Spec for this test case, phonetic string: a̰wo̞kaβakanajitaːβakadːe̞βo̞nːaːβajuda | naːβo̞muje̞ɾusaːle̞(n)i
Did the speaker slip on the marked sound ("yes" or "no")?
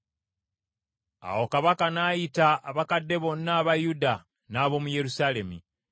yes